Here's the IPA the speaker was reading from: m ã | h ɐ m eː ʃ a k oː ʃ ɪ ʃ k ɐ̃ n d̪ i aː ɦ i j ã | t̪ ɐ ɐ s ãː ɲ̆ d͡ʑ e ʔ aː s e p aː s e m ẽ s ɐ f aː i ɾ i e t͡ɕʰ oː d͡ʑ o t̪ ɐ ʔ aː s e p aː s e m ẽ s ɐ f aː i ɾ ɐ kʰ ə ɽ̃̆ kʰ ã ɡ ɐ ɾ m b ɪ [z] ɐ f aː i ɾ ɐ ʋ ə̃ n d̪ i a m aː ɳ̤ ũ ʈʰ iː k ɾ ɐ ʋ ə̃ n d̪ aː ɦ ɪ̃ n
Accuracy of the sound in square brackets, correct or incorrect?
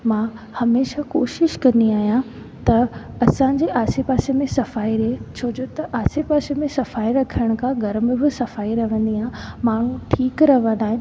incorrect